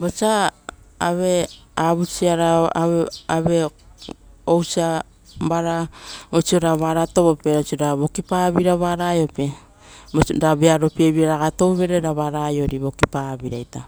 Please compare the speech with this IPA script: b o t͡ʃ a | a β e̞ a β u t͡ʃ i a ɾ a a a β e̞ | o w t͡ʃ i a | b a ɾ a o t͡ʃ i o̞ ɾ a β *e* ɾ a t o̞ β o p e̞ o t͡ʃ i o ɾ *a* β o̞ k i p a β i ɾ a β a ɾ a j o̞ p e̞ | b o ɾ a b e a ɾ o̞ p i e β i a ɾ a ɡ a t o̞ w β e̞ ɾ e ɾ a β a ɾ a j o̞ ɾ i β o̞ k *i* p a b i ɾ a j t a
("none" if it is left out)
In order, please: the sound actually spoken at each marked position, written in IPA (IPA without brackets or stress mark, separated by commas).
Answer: a, a, i